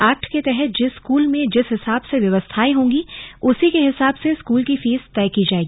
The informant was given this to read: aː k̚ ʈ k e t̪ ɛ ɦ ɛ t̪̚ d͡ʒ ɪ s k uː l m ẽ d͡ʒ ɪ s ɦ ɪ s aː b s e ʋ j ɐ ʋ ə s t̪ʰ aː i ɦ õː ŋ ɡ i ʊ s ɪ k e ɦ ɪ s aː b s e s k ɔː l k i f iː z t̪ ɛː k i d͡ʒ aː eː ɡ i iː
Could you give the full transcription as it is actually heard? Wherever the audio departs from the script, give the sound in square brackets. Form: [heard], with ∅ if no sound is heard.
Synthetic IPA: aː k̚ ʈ k e t̪ ɛ ɦ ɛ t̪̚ d͡ʒ ɪ s k uː l m ẽ d͡ʒ ɪ s ɦ ɪ s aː b s e ʋ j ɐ ʋ ə s t̪ʰ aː i ɦ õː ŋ ɡ i ʊ s [i] k e ɦ ɪ s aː b s e s k [uː] l k i f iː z t̪ ɛː k i d͡ʒ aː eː ɡ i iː